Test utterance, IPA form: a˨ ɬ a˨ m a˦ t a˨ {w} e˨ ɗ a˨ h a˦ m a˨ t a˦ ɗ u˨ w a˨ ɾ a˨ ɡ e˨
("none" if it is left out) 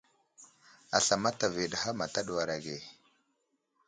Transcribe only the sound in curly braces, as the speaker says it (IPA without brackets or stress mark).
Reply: v